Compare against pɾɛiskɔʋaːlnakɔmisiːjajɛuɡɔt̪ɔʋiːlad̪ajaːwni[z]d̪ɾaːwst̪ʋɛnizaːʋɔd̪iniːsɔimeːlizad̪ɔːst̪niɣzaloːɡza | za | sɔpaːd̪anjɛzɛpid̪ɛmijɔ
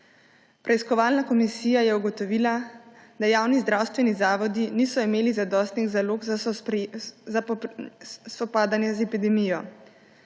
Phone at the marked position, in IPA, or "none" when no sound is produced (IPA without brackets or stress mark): z